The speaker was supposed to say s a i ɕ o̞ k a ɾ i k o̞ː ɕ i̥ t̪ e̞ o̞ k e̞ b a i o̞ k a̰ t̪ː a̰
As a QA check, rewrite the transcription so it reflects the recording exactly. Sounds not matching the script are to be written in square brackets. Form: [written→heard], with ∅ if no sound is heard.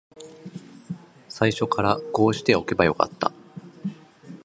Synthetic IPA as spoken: s a i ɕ o̞ k a ɾ [i→a] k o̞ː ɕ i̥ t̪ e̞ o̞ k e̞ b a [i→j] o̞ k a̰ t̪ː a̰